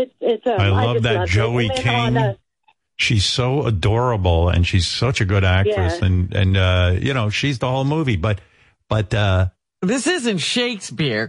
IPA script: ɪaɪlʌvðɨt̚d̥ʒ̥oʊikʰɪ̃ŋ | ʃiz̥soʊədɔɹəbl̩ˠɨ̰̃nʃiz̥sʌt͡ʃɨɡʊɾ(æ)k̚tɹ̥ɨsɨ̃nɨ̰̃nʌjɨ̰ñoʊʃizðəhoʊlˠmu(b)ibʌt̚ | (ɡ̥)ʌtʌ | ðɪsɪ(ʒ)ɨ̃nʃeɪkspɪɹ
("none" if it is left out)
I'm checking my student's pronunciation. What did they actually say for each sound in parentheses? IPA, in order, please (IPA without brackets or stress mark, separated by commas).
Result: æ, v, b̥, z